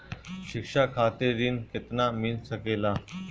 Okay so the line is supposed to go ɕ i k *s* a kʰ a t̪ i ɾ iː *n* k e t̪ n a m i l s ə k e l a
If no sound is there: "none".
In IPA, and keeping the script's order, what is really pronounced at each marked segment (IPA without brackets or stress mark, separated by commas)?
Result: ʂ, n